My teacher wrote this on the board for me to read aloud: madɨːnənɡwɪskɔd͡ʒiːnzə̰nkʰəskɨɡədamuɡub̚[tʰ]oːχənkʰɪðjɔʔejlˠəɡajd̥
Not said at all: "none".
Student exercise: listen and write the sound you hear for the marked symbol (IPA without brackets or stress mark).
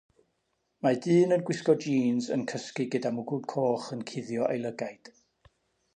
kʰ